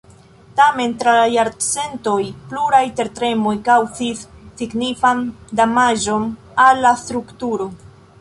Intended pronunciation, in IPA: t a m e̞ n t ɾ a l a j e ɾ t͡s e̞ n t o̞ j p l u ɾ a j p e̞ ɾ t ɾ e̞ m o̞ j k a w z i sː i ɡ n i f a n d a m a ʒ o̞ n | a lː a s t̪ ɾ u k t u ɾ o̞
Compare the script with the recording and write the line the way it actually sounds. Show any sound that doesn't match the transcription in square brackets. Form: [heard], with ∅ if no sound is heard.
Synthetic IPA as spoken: t a m e̞ n t ɾ a l a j [a] ɾ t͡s e̞ n t o̞ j p l u ɾ a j [t] e̞ ɾ t ɾ e̞ m o̞ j k a w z i sː i ɡ n i f a n d a m a ʒ o̞ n | a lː a s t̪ ɾ u k t u ɾ o̞